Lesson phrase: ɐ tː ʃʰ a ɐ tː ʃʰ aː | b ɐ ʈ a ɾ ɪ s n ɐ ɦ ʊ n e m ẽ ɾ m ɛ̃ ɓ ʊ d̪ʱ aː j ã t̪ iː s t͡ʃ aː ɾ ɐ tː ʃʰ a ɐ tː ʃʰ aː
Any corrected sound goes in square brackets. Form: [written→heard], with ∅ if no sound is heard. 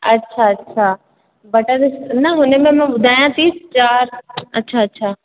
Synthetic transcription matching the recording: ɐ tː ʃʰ a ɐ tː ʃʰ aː | b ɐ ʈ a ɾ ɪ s n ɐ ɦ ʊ n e m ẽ [ɾ→∅] m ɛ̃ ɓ ʊ d̪ʱ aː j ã t̪ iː s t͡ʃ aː ɾ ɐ tː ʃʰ a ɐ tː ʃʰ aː